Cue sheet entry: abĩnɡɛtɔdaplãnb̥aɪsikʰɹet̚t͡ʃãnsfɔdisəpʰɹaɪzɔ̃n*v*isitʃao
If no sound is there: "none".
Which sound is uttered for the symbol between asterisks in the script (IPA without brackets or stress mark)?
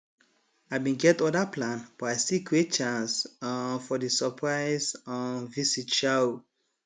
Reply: v